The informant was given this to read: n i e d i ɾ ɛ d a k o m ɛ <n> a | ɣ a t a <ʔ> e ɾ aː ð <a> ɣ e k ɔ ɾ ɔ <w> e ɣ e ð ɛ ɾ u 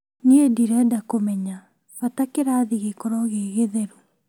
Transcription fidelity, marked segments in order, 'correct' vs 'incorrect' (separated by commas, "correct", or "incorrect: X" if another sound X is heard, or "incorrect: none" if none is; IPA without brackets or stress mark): incorrect: ɲ, incorrect: k, incorrect: i, incorrect: ɣ